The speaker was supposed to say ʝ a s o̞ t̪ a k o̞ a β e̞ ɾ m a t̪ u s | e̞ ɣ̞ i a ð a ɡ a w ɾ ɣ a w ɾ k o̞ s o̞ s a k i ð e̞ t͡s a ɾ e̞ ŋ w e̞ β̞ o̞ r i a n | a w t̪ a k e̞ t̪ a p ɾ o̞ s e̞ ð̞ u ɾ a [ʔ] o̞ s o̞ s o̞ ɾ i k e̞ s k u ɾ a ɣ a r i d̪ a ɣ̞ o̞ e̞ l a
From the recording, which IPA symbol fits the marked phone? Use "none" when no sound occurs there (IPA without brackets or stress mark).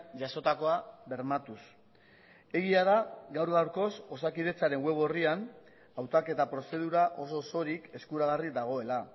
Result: ʔ